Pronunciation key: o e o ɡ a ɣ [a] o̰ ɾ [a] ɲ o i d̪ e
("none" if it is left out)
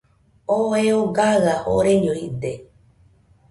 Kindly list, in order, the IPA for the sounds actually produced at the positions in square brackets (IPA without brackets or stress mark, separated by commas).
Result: a, e